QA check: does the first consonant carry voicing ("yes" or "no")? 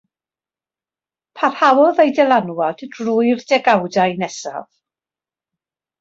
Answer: no